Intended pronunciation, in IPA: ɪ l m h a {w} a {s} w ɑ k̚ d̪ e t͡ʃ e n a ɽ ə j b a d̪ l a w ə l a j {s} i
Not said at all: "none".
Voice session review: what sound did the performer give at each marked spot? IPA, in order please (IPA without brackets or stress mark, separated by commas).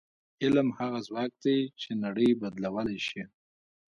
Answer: ɣ, z, ʃ